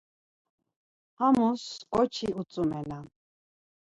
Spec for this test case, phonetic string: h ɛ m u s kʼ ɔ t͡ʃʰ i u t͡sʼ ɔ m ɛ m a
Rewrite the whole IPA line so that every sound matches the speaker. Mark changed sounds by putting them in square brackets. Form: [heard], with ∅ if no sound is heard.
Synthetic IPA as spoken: h [a] m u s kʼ ɔ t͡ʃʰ i u t͡sʼ [u] m ɛ [n] a